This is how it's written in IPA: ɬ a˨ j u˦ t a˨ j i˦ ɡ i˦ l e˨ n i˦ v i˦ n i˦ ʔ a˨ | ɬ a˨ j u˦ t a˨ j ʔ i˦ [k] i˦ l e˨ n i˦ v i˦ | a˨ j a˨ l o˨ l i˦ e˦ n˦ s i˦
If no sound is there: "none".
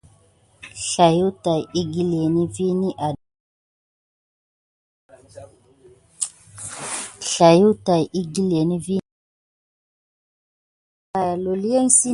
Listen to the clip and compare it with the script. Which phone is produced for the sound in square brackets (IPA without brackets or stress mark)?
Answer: ɡ